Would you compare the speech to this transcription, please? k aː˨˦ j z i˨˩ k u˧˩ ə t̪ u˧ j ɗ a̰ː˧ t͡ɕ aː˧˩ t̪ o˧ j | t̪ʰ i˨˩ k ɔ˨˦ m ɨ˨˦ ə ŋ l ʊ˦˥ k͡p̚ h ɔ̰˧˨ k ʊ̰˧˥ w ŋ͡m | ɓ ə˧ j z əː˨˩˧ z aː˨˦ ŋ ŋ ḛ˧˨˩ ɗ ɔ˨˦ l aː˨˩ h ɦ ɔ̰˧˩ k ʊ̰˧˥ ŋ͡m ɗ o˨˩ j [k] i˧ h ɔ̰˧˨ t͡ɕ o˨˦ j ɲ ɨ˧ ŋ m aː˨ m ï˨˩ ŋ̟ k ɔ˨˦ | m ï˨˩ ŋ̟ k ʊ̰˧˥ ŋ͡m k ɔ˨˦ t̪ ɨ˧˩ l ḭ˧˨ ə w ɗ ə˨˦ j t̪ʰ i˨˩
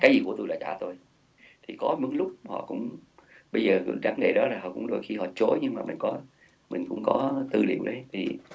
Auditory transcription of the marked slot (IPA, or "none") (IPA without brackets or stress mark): x